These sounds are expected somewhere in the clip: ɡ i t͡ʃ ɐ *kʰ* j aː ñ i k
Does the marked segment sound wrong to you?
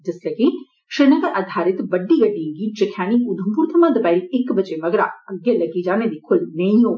no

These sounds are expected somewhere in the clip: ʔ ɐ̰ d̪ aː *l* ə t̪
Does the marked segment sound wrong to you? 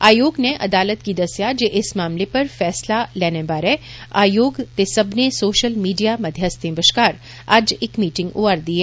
no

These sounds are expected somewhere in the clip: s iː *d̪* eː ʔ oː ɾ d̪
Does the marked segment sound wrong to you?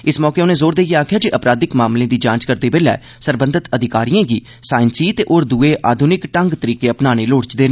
yes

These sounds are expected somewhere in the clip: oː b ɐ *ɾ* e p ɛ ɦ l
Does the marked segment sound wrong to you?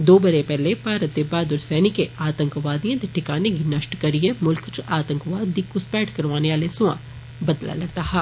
no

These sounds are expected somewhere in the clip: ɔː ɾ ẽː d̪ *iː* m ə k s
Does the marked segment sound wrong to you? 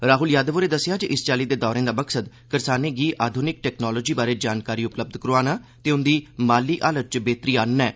yes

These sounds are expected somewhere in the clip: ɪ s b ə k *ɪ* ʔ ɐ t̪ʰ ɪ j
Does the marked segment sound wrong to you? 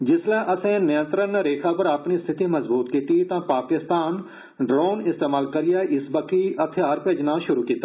yes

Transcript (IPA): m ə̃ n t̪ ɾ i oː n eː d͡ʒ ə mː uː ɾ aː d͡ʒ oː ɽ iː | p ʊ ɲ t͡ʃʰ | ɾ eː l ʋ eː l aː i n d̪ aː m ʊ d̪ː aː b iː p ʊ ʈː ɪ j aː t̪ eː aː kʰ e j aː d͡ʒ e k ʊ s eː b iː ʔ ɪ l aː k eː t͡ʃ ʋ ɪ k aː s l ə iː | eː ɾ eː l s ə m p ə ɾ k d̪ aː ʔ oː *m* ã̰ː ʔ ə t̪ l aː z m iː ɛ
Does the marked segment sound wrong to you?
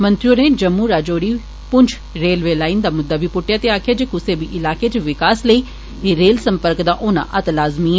yes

